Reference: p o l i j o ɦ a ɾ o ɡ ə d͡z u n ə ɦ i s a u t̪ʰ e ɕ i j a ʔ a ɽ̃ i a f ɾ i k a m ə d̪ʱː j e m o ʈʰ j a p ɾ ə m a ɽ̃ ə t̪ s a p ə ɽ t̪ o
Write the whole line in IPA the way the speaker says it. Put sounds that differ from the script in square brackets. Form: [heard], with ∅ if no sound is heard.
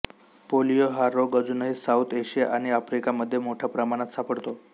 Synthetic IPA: p o l i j o ɦ a ɾ o ɡ ə d͡z u n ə ɦ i s a u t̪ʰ e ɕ i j a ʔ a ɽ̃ i a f ɾ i k a m ə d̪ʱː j e m o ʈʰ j a p ɾ ə m a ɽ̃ [a] t̪ s a p ə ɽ t̪ o